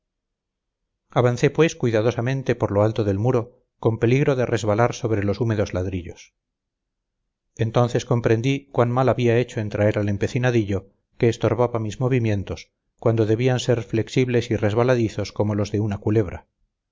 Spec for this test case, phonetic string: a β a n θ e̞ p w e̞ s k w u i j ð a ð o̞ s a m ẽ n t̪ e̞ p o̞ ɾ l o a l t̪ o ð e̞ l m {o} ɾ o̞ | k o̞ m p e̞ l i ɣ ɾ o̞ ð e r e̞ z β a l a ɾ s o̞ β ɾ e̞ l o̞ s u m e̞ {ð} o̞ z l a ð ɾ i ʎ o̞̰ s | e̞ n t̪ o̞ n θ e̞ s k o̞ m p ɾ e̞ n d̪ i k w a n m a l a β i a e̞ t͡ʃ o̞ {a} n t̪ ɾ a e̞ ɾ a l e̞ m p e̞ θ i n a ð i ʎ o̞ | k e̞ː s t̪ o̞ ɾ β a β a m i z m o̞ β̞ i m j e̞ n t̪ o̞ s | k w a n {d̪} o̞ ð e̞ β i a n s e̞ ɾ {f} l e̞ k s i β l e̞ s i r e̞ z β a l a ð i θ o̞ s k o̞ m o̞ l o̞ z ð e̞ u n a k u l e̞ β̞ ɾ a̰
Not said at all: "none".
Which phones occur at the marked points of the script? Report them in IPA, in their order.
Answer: u, ð, e, d̪, f

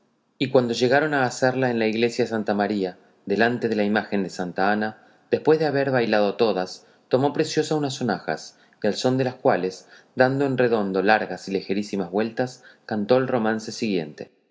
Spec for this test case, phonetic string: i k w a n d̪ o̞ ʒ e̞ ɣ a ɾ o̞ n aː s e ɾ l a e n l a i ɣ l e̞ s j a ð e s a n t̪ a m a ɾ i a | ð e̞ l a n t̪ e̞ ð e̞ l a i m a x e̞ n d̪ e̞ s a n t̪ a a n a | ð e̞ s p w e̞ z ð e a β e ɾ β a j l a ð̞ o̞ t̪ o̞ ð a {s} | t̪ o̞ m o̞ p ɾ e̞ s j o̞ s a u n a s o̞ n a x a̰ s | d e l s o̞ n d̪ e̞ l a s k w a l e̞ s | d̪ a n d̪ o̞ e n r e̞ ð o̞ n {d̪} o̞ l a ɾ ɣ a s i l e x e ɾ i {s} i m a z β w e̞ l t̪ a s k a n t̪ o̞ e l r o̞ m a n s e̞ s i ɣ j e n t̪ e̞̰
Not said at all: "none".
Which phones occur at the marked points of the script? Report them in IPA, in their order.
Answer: s, d̪, s

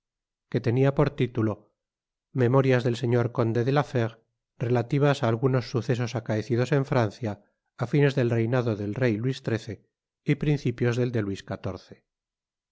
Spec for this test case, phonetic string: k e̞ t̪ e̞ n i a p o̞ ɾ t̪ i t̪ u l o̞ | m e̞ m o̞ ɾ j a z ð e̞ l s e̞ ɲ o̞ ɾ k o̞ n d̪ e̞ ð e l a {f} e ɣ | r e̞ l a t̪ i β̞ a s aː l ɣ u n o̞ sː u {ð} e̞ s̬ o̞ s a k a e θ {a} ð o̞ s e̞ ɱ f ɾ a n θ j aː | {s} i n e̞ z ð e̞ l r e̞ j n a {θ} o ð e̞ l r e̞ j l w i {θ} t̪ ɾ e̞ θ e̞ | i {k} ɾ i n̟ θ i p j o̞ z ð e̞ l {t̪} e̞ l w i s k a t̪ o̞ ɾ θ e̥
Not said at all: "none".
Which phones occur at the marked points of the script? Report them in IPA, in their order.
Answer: f, θ, i, f, ð, s, p, d̪

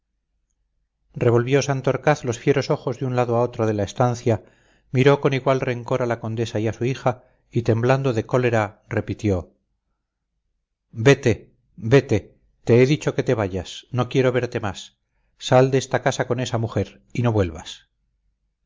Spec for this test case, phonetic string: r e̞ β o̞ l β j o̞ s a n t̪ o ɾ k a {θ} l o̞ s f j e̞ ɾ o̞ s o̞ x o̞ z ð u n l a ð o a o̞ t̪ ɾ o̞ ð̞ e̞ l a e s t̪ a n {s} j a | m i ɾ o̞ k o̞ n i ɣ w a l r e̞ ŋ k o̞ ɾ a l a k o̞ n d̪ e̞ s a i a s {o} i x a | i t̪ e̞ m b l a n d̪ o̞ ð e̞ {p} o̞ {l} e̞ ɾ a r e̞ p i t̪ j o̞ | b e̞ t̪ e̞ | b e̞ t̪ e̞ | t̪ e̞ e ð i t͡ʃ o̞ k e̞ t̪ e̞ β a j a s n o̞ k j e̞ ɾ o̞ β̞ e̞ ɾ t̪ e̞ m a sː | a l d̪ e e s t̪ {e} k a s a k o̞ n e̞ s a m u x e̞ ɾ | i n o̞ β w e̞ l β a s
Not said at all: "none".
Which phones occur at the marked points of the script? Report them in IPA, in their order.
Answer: θ, θ, u, k, l, a

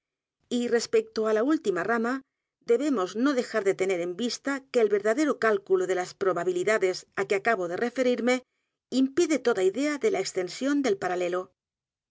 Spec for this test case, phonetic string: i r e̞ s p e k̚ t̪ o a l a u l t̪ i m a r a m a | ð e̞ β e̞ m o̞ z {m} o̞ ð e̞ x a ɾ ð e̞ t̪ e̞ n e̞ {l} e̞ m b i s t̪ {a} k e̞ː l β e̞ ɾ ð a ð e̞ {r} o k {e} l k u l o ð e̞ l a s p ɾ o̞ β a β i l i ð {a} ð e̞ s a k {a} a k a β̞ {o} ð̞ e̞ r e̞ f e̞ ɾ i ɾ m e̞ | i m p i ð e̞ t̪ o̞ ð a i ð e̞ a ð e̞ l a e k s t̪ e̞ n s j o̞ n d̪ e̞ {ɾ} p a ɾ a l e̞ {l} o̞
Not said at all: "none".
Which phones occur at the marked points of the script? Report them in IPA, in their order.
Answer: n, ɾ, a, ɾ, a, a, e, o, l, l

